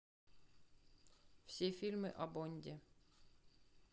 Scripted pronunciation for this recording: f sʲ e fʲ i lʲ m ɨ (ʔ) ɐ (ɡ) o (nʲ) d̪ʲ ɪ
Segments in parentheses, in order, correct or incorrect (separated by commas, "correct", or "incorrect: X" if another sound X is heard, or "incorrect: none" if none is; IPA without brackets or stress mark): correct, incorrect: b, correct